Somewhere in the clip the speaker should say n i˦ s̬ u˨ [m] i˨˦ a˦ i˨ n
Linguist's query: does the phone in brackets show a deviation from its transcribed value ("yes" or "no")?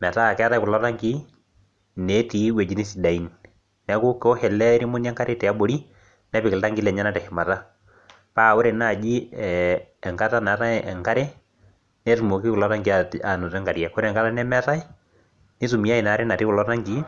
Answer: no